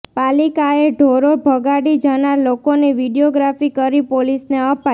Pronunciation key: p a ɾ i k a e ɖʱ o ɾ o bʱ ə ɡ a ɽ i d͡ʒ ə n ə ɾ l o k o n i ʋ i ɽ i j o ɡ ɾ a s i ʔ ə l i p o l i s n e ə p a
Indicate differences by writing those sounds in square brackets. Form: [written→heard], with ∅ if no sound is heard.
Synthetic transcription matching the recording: p a [ɾ→l] i k a e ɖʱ o ɾ o bʱ ə ɡ a ɽ i d͡ʒ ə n [ə→a] ɾ l o k o n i ʋ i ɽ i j o ɡ ɾ a [s→f] i [ʔ→k] ə [l→ɾ] i p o l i s n e ə p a